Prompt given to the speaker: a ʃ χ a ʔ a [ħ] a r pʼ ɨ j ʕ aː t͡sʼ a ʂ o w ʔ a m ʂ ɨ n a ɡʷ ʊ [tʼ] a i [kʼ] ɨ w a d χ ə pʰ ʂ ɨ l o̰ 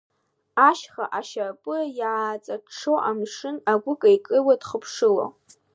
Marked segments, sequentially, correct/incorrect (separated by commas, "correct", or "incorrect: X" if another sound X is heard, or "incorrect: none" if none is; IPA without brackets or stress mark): incorrect: ʃ, incorrect: kʼ, correct